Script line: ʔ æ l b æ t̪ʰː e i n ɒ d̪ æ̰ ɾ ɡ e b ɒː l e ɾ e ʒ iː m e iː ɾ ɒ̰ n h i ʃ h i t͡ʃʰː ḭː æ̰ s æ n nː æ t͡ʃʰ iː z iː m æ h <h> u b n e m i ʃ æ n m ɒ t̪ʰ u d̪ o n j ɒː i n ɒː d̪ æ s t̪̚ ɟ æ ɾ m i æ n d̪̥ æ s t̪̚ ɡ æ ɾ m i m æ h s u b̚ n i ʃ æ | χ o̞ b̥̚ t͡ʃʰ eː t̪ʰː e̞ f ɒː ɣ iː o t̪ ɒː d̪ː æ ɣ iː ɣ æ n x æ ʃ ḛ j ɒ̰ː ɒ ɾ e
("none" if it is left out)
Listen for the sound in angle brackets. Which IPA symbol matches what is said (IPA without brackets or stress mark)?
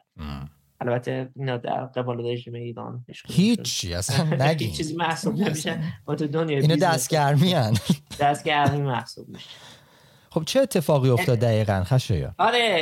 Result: s